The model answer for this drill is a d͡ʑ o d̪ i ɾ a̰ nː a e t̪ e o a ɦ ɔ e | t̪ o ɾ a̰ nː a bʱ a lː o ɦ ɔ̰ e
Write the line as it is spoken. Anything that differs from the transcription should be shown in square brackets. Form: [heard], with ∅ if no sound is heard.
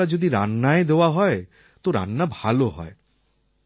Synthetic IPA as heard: a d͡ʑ o d̪ i ɾ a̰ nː a e [d̪] e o a ɦ ɔ e | t̪ o ɾ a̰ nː a bʱ a [l] o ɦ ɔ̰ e